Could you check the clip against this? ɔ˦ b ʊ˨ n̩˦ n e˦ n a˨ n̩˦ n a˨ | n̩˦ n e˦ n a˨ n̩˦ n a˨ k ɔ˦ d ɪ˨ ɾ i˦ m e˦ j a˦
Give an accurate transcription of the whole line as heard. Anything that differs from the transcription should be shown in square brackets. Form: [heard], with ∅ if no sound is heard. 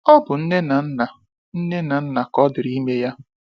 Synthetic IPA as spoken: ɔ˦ b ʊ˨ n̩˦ n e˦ n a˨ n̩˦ n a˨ | n̩˦ n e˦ n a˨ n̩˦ n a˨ k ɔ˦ d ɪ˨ ɾ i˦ m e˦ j a˦